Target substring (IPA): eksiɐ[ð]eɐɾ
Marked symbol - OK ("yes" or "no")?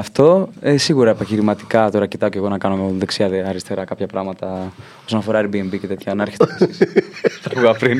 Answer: yes